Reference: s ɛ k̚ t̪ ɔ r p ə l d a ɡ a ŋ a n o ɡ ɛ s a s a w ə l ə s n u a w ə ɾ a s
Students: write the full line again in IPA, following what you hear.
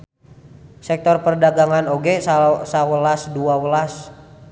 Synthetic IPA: s ɛ k̚ t̪ ɔ r p ə r d a ɡ a ŋ a n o ɡ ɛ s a s a w ə l a s d u a w ə l a s